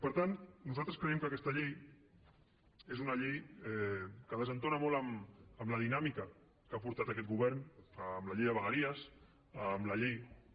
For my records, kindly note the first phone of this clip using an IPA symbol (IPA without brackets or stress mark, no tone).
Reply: p